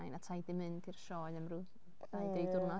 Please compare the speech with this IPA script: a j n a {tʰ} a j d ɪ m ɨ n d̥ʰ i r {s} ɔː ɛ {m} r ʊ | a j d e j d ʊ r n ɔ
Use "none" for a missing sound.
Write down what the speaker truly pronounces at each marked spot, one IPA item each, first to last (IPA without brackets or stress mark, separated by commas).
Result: tʰ, ʃ, m